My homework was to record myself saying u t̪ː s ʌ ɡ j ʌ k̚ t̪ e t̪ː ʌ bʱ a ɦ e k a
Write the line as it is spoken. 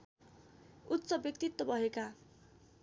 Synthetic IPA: u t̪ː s ʌ b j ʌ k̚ t̪ i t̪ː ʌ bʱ ʌ ɦ e k a